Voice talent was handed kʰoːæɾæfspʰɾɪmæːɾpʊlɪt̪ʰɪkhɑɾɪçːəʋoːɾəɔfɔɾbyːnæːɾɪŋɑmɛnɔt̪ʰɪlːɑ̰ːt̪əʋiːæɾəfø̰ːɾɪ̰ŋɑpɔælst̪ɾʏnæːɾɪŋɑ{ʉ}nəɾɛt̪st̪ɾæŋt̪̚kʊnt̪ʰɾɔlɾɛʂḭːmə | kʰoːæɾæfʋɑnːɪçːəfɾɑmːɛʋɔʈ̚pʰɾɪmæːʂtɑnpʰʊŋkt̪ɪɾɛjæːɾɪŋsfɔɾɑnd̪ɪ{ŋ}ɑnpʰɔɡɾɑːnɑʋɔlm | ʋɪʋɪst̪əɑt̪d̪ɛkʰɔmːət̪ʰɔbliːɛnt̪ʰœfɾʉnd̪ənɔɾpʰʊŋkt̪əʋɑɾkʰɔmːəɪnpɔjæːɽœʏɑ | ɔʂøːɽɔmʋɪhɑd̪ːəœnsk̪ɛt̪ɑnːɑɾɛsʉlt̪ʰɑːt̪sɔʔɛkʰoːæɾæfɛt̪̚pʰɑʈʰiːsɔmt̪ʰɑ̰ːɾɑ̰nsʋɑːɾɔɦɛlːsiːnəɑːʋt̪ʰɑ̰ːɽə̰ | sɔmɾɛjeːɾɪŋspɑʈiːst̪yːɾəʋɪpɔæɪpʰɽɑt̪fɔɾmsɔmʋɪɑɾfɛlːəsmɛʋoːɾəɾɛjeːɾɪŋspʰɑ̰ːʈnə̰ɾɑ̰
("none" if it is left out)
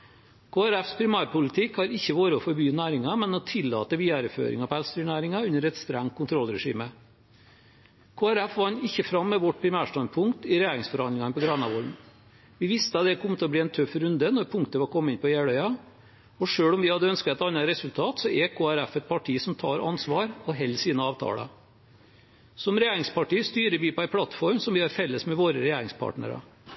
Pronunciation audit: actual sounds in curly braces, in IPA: ʉ, ŋ

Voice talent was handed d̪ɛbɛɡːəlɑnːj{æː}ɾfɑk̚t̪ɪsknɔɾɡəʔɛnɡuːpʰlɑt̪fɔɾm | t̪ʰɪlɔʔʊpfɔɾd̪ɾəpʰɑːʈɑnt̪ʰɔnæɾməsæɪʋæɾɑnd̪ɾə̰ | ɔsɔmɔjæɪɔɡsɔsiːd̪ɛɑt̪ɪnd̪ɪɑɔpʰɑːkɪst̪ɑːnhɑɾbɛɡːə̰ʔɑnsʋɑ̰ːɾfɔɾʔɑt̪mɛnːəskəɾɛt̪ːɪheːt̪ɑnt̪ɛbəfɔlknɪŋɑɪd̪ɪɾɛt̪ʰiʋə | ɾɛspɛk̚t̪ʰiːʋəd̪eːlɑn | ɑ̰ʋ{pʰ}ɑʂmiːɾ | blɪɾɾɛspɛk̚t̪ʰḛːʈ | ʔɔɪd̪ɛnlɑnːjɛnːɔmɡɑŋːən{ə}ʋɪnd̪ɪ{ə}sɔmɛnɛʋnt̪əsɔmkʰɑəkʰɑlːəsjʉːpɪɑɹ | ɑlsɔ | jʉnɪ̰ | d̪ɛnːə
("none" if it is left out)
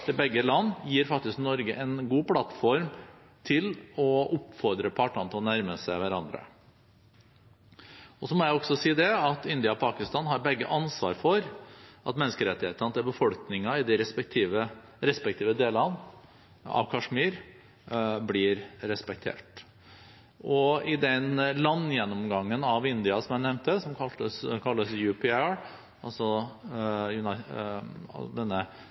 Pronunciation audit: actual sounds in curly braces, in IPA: iː, kʰ, ɑ, ɑ

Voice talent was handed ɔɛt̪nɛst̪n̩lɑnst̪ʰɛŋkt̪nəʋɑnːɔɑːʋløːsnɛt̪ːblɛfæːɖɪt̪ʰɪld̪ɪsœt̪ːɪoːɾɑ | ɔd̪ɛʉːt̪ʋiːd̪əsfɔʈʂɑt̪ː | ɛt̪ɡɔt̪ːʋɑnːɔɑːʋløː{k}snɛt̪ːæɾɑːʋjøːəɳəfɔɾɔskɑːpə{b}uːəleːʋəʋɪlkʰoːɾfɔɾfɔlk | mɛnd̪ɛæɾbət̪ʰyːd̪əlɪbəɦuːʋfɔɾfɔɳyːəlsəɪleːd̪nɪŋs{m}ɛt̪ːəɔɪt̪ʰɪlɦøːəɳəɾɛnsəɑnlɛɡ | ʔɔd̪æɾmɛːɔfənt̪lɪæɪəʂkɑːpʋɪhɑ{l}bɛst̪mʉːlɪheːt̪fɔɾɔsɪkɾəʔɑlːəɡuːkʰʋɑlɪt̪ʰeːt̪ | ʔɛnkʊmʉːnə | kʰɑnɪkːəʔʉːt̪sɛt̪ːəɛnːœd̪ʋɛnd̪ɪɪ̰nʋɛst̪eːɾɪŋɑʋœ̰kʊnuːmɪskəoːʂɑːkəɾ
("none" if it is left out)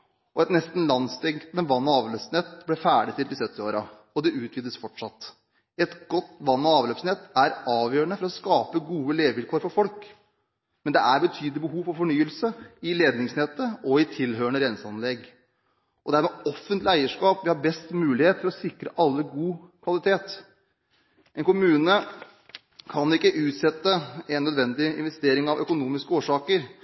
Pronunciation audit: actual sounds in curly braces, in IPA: p, ɡ, n, ɾ

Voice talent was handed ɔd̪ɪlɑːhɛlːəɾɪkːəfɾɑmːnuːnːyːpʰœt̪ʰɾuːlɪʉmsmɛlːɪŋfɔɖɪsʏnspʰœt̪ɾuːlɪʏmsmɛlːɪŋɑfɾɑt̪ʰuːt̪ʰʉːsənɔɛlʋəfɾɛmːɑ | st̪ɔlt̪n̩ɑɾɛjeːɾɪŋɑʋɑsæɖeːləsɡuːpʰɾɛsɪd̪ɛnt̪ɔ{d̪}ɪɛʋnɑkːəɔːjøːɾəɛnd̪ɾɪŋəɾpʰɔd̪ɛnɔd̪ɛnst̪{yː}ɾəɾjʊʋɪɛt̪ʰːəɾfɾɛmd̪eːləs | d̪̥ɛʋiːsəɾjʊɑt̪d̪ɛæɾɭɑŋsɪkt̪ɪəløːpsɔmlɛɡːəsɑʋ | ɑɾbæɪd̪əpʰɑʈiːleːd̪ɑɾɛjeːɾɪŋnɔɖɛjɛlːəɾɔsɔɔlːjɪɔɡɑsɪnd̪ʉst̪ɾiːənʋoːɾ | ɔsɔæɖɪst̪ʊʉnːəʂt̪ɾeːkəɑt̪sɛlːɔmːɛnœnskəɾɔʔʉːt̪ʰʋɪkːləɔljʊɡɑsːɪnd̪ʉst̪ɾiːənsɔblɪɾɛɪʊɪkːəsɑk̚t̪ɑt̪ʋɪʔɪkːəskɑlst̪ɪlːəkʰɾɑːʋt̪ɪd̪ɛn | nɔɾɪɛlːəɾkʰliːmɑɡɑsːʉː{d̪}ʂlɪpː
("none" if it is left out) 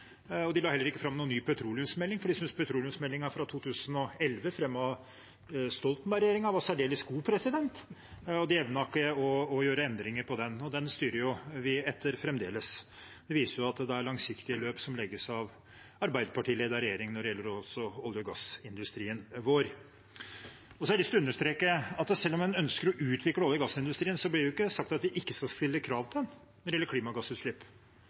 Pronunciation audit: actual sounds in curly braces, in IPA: d̪, yː, t̪

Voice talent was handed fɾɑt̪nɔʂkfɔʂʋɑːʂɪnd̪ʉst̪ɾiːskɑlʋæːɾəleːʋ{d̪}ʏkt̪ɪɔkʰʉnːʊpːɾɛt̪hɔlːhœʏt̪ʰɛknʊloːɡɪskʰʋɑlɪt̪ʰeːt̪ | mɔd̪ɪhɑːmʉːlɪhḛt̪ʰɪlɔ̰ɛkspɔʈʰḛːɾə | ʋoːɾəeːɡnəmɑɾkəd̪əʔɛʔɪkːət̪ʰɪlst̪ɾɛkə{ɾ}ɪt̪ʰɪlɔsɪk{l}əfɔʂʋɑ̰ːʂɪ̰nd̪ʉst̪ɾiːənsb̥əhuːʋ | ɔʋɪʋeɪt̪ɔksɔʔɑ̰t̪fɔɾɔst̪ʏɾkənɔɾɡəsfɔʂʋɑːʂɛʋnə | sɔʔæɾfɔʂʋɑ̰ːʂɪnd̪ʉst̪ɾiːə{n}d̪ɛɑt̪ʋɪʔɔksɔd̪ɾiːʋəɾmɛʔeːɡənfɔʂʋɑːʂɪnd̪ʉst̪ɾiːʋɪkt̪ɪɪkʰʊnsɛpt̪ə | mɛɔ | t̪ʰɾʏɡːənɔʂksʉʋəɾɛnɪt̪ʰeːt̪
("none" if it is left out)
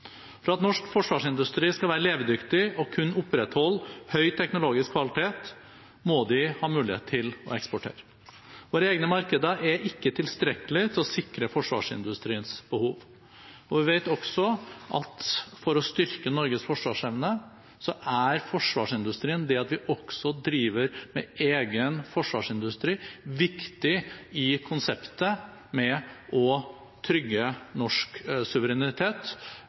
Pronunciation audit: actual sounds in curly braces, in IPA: d̪, l, ɾ, n

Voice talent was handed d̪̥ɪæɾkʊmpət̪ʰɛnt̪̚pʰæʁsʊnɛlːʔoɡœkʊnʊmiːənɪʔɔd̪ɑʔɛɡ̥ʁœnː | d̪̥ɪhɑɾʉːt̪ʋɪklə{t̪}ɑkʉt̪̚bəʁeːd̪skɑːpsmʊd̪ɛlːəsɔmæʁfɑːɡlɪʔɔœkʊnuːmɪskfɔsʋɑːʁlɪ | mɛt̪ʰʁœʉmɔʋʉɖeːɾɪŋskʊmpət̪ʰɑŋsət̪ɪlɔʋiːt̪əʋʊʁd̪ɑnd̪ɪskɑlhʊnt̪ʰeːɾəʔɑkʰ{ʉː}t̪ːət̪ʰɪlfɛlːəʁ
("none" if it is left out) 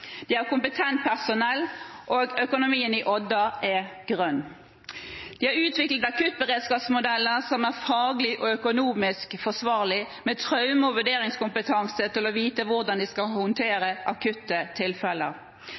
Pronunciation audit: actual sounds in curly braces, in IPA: t̪, ʉ

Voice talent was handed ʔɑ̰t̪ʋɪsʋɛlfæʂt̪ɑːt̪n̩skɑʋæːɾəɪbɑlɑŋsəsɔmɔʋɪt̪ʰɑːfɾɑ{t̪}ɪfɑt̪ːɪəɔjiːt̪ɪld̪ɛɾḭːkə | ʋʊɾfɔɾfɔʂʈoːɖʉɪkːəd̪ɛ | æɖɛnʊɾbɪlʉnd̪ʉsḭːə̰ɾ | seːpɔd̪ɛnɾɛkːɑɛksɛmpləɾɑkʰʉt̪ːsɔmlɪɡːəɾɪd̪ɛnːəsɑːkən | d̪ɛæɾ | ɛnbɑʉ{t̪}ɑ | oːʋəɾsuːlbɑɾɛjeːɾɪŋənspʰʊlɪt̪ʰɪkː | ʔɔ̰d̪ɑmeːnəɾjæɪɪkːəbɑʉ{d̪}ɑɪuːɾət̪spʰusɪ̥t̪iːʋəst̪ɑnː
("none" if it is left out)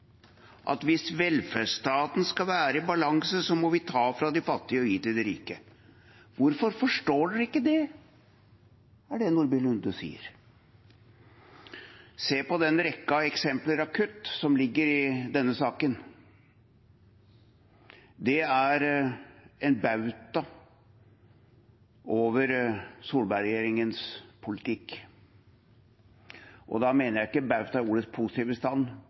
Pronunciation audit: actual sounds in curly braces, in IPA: d̪, t̪, t̪

